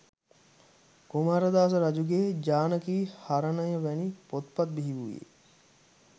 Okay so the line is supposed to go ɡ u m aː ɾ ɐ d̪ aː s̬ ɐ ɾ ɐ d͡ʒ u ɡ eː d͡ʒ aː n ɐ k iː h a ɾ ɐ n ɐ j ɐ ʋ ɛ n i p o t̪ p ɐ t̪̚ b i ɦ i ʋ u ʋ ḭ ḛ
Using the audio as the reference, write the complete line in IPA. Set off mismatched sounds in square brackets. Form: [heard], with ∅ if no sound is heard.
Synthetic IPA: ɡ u m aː ɾ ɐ d̪ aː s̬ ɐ ɾ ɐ d͡ʒ u ɡ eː d͡ʒ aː n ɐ k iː h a ɾ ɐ n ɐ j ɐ ʋ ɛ n i p o t̪ p ɐ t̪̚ b i ɦ i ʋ u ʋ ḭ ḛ